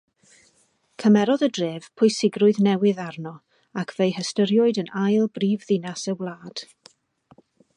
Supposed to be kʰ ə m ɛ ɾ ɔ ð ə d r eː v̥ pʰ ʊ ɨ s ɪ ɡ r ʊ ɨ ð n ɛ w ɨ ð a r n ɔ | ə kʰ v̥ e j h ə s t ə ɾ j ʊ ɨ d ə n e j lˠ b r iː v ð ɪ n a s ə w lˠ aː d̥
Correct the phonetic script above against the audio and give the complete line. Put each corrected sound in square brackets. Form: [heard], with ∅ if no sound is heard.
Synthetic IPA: kʰ ə m ɛ ɾ ɔ ð ə d r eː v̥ pʰ ʊ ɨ s ɪ ɡ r ʊ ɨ ð n ɛ w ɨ ð a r n ɔ | [a] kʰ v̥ e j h ə s t ə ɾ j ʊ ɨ d ə n [a] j lˠ b r iː v ð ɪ n a s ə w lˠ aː d̥